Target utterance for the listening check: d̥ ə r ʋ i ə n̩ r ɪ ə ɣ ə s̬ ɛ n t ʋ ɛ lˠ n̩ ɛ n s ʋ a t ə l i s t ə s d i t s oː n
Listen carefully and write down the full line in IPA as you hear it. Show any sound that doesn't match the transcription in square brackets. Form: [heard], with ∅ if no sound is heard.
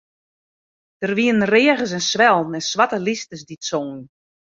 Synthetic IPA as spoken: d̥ ə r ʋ i ə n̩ r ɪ ə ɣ ə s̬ ɛ n [s] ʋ ɛ lˠ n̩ ɛ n s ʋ a t ə l i s t ə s d i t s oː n